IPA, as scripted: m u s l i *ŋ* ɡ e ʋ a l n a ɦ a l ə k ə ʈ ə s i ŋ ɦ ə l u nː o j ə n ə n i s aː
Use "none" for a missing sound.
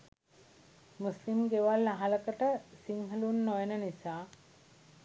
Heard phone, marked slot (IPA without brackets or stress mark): m